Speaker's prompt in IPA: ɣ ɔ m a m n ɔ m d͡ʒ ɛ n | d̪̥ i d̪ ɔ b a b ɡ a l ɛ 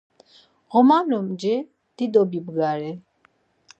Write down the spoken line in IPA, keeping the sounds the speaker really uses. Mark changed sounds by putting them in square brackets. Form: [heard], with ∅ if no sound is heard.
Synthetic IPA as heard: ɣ ɔ m a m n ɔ m d͡ʒ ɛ [∅] | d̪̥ i d̪ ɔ b [i] b ɡ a [ɾ] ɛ